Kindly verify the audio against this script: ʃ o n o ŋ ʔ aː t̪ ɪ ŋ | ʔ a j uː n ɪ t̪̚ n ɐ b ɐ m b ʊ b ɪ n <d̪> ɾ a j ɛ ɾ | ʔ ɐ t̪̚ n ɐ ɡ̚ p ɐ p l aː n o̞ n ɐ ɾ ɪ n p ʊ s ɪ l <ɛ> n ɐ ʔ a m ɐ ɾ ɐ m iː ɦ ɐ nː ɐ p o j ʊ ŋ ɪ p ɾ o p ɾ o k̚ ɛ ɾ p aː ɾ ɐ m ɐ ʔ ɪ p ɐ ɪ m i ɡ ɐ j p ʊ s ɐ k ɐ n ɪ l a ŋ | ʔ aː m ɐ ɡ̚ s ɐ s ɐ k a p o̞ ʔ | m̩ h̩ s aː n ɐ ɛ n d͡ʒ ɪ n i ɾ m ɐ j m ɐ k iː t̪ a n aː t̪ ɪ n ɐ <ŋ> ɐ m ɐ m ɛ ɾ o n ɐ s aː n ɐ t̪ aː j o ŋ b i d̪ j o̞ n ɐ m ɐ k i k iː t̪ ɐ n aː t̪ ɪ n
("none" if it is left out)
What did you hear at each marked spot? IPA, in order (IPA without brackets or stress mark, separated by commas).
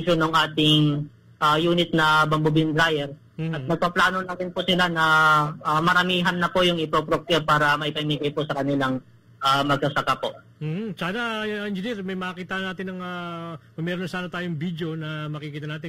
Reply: d̪, a, ŋ